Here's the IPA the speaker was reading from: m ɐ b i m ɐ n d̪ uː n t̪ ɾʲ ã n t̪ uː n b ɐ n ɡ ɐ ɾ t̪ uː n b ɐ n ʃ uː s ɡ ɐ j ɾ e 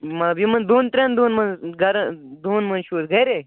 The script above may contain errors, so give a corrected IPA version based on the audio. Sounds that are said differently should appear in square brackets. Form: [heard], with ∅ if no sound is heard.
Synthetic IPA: m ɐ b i m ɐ n d̪ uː n t̪ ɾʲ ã n [d̪] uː n [m] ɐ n ɡ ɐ ɾ [d̪] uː n [m] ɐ n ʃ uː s ɡ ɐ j ɾ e